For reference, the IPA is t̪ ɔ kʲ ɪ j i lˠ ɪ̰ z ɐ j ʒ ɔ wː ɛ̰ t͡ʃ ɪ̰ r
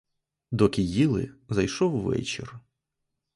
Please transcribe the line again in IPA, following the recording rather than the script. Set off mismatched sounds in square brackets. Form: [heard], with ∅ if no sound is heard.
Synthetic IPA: [d̪] ɔ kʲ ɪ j i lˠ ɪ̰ z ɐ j [ʃ] ɔ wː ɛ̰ t͡ʃ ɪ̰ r

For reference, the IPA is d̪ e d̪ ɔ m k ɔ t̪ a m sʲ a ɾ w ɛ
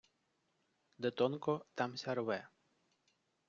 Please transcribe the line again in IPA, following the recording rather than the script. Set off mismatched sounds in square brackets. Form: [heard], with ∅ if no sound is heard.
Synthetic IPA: d̪ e [t̪] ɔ [n] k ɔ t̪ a m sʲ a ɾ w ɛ

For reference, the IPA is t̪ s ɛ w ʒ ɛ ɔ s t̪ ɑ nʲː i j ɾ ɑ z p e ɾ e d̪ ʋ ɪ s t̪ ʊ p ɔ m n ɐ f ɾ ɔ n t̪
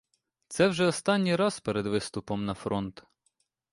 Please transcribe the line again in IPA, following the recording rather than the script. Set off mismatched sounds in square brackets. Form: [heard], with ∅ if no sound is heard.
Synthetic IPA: t̪ s ɛ w ʒ ɛ ɔ s t̪ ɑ nʲː i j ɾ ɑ z p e ɾ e d̪ ʋ ɪ s t̪ ʊ p ɔ m n ɐ f ɾ ɔ n t̪

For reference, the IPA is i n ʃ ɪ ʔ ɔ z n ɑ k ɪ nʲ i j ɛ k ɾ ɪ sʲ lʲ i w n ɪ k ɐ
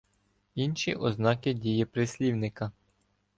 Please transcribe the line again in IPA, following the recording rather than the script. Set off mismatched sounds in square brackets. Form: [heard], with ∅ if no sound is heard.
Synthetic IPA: i n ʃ [i] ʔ ɔ z n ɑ k ɪ [dʲ] i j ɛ [p] ɾ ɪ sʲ lʲ i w n ɪ k ɐ

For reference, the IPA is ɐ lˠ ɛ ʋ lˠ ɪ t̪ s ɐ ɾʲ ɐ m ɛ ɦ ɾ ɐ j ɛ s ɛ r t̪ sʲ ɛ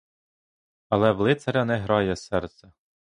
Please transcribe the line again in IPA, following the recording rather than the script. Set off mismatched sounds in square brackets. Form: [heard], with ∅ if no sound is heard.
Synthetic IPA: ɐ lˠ ɛ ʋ lˠ ɪ t̪ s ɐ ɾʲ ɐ [n] ɛ ɦ ɾ [ɑ] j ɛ s ɛ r t̪ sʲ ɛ

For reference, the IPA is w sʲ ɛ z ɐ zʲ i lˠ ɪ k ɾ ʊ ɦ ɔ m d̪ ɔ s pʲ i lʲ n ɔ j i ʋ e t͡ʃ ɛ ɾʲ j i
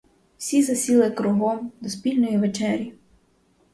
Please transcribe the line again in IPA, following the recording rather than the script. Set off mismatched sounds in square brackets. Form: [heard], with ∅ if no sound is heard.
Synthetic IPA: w sʲ [i] z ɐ [sʲ] i lˠ ɪ k ɾ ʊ ɦ ɔ m d̪ ɔ s pʲ i lʲ n ɔ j i ʋ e t͡ʃ ɛ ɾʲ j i

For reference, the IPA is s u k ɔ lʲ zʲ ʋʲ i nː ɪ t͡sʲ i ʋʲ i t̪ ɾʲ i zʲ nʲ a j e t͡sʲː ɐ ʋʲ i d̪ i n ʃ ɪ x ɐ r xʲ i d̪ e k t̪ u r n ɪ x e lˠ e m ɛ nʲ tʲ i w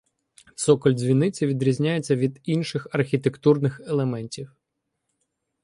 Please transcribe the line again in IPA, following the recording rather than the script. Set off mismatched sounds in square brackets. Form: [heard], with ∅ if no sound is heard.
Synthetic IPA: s [ɔ] k ɔ lʲ zʲ ʋʲ i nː ɪ t͡sʲ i ʋʲ i [d̪] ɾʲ i zʲ nʲ a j e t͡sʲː ɐ ʋʲ i d̪ i n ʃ ɪ x ɐ r xʲ i [t̪] e k t̪ u r n ɪ x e lˠ e m ɛ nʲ tʲ i w

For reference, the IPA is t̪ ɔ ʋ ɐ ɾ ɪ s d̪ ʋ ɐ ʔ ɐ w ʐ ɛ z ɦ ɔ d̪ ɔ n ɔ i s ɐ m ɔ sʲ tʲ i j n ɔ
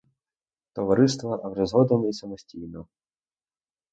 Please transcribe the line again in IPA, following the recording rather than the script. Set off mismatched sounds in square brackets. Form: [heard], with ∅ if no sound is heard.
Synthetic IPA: t̪ ɔ ʋ ɐ ɾ ɪ s [t̪] ʋ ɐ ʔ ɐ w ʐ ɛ z ɦ ɔ d̪ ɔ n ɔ i s ɐ m ɔ sʲ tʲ i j n ɔ

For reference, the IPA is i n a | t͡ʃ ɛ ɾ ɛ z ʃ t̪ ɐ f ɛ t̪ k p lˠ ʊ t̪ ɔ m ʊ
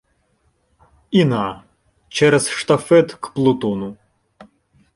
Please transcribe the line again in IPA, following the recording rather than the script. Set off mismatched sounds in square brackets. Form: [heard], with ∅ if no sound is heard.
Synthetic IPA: i n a | t͡ʃ ɛ ɾ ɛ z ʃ t̪ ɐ f ɛ t̪ k p lˠ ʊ t̪ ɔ [n] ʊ

